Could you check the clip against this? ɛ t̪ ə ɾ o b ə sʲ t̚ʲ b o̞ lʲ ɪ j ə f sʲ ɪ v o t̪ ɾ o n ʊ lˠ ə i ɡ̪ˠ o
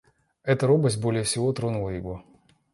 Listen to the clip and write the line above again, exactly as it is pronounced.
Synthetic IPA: ɛ t̪ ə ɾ o b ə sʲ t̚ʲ b o̞ lʲ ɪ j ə f sʲ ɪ v o t̪ ɾ o n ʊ lˠ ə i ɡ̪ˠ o